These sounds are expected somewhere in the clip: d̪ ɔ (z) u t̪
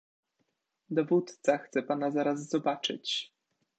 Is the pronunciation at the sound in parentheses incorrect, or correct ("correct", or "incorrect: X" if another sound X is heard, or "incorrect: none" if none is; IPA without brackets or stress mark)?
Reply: incorrect: v